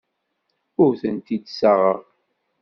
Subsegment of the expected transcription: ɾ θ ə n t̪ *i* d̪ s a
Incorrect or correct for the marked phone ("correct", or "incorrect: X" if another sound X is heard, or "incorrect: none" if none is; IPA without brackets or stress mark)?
correct